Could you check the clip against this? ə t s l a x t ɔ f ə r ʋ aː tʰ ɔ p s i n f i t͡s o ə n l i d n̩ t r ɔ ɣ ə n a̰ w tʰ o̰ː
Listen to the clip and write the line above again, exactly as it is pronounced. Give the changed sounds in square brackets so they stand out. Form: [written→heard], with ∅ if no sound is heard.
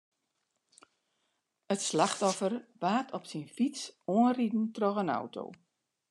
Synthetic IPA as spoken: ə t s l a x t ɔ f ə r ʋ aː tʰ ɔ p s i n f i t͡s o ə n [l→r] i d n̩ t r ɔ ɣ ə n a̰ w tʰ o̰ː